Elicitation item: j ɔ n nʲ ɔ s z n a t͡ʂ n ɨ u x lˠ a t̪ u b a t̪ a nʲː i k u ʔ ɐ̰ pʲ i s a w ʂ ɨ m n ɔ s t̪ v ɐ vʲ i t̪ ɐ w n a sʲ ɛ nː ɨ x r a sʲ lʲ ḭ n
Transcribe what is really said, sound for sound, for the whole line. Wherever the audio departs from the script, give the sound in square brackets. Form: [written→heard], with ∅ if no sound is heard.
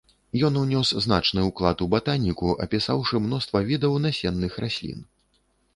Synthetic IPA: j ɔ n nʲ ɔ s z n a t͡ʂ n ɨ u [x→k] lˠ a t̪ u b a t̪ a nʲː i k u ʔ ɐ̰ pʲ i s a w ʂ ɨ m n ɔ s t̪ v ɐ vʲ i [t̪→d̪] ɐ w n a sʲ ɛ nː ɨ x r a sʲ lʲ ḭ n